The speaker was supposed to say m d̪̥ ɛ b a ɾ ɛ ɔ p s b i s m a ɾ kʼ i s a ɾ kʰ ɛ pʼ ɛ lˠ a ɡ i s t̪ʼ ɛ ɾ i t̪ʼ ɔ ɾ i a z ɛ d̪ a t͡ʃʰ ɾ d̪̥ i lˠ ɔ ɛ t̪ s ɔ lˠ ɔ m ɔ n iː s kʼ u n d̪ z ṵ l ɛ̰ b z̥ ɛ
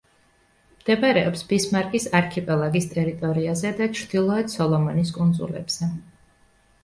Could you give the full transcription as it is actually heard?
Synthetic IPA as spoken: m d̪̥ ɛ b a ɾ ɛ ɔ p s b i s m a ɾ kʼ i s a ɾ kʰ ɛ pʼ ɛ lˠ a ɡ i s t̪ʼ ɛ ɾ i t̪ʼ ɔ ɾ i a z ɛ d̪ a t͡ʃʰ ɾ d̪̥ i lˠ ɔ ɛ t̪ s ɔ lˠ ɔ m ɔ n i s kʼ u n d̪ z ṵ l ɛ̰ b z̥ ɛ